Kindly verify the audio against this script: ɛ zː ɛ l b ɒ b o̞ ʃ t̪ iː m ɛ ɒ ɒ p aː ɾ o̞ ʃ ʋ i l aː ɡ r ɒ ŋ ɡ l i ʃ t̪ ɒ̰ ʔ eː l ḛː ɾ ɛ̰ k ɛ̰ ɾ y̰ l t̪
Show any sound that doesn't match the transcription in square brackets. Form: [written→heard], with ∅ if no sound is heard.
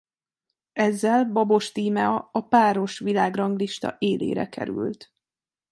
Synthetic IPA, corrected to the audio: ɛ zː ɛ l b ɒ b o̞ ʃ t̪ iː m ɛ ɒ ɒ p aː ɾ o̞ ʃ ʋ i l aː ɡ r ɒ ŋ ɡ l i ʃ t̪ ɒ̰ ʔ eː l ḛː ɾ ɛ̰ k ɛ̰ ɾ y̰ l t̪